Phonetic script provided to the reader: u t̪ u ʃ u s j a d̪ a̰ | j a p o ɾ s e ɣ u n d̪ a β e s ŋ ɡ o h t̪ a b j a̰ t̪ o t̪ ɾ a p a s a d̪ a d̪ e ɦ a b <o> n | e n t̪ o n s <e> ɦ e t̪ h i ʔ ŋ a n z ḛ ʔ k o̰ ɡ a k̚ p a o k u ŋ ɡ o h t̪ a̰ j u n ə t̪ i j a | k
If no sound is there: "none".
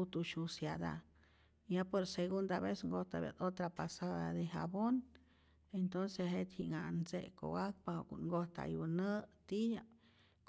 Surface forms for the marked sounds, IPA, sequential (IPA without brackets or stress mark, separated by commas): o, e